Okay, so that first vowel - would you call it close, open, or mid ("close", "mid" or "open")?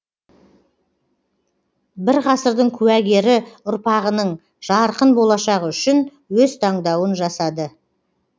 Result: close